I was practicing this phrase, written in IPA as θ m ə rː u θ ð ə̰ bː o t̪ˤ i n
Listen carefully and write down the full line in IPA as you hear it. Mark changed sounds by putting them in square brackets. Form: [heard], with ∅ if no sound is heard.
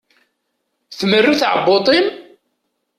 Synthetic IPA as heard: θ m ə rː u θ [ʕ] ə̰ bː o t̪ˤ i n